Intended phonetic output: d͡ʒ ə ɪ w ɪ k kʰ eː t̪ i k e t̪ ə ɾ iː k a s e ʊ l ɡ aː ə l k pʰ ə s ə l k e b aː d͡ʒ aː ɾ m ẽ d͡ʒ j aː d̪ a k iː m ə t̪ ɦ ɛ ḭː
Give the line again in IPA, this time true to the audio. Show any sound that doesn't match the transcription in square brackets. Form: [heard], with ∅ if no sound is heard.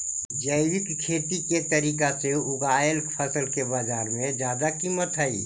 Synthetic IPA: d͡ʒ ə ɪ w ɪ k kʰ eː t̪ i k e t̪ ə ɾ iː k a s e ʊ [∅] ɡ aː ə l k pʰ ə s ə l k e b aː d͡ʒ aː ɾ m ẽ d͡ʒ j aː d̪ a k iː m ə t̪ ɦ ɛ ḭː